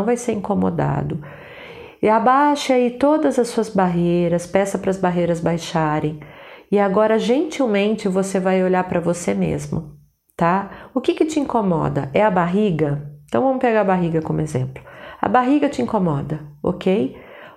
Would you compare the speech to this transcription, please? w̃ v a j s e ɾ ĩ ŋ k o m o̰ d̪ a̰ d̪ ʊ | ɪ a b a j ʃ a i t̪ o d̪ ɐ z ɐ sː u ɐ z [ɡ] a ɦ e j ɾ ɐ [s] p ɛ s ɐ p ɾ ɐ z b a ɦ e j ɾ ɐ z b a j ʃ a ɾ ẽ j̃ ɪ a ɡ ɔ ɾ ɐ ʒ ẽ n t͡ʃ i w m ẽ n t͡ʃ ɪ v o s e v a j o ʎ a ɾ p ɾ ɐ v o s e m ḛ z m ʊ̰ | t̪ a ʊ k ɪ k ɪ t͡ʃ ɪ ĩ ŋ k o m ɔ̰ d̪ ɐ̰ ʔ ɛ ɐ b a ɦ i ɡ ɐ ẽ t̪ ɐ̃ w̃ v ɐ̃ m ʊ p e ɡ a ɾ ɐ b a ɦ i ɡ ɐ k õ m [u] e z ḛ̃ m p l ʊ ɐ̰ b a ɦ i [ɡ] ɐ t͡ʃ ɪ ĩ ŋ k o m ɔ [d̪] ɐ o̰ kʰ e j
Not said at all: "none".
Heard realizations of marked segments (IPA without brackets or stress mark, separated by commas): b, s, ʊ, ɡ, d̪